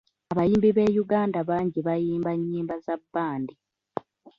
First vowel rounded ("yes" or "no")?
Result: no